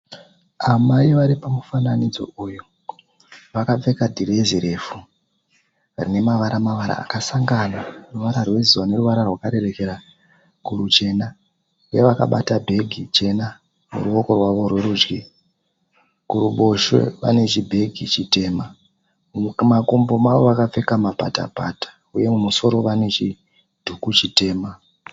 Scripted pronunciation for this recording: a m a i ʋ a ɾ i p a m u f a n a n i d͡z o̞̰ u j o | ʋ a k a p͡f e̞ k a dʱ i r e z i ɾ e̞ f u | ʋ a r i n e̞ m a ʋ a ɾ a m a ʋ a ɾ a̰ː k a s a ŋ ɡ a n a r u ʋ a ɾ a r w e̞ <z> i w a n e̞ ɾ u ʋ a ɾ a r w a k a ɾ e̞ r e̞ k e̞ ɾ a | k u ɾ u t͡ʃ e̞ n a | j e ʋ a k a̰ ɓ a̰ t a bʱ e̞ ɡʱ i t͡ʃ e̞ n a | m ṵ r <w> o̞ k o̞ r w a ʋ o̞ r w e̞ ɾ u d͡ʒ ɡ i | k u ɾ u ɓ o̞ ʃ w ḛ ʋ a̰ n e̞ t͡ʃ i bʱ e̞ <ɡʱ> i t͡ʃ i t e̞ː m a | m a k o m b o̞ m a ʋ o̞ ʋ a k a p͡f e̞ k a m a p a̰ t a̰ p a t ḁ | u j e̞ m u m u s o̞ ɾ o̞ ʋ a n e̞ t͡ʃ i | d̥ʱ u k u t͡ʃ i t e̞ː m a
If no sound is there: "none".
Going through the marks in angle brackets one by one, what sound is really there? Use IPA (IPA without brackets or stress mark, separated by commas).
z, u, ɡʱ